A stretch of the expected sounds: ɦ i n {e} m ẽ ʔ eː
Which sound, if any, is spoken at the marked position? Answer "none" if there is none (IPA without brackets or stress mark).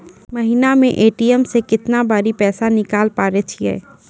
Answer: a